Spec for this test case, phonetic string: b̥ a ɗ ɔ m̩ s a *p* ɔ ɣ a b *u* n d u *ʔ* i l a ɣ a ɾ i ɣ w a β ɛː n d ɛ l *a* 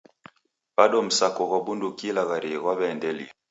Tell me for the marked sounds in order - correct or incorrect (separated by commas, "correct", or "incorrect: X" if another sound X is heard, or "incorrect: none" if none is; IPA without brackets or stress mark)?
incorrect: k, correct, incorrect: k, incorrect: i